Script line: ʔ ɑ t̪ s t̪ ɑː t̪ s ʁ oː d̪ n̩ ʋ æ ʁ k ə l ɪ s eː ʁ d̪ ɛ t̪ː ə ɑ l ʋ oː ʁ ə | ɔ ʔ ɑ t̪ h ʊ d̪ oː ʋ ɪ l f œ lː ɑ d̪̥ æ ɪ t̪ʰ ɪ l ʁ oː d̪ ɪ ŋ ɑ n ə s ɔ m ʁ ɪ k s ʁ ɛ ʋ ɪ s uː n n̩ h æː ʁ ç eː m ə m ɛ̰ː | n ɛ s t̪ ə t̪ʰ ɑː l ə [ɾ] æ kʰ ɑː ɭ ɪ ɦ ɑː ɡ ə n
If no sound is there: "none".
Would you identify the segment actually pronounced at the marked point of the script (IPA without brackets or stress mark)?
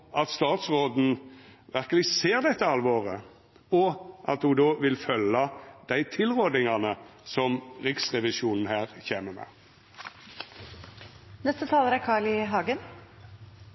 ɾ